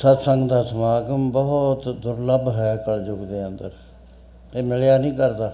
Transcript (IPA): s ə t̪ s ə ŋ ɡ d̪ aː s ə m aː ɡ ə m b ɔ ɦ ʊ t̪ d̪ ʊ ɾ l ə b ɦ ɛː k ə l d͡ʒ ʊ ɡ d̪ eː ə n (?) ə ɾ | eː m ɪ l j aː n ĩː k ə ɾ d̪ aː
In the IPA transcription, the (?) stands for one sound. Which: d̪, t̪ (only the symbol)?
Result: d̪